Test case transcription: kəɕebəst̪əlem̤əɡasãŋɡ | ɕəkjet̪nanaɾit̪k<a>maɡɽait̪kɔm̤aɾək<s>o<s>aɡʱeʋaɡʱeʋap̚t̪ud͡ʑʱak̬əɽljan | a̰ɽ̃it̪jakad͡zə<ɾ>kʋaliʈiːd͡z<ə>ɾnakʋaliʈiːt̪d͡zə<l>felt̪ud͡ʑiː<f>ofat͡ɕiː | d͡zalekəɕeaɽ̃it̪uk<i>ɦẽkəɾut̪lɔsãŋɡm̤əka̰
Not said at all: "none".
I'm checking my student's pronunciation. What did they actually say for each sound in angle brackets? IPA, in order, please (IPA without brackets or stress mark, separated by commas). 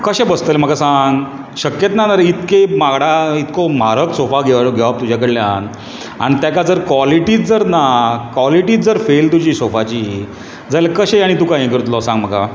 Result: e, s, f, ɾ, ə, ɾ, s, a